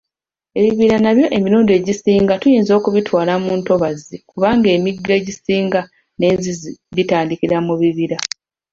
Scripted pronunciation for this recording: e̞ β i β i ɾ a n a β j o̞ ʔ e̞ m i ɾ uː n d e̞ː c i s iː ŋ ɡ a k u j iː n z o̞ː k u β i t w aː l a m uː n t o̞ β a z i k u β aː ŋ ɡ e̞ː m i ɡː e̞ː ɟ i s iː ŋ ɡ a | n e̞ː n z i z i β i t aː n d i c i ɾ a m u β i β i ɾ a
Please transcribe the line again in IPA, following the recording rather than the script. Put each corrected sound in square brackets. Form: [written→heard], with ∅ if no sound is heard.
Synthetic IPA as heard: e̞ β i β i ɾ a n a β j o̞ ʔ e̞ m i ɾ uː n d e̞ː [c→ɟ] i s iː ŋ ɡ a [k→t] u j iː n z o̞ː k u β i t w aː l a m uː n t o̞ β a z i k u β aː ŋ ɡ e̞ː m i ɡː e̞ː ɟ i s iː ŋ ɡ a | n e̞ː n z i z i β i t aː n d i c i ɾ a m u β i β i ɾ a